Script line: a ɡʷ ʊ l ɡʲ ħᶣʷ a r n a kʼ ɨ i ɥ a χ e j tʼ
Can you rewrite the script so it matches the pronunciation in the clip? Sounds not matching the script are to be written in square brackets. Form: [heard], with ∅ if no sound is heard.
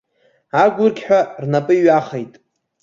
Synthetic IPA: a ɡʷ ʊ [r] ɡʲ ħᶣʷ a r n a [pʼ] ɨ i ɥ a χ e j tʼ